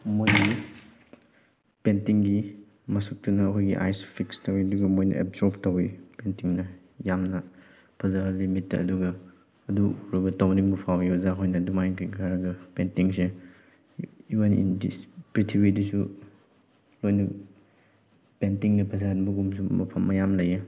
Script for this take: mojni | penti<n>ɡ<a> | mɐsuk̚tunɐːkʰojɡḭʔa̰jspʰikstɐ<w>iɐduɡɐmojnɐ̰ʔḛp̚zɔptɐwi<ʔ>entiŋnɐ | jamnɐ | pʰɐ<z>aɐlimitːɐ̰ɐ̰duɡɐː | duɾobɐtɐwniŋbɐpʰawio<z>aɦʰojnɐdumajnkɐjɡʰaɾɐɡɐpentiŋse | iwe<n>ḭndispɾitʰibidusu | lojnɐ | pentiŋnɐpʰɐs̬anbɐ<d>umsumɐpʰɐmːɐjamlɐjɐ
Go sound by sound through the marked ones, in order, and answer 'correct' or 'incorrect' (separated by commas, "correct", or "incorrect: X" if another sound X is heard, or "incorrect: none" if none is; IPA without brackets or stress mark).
incorrect: ŋ, incorrect: i, correct, incorrect: p, correct, correct, correct, incorrect: ɡ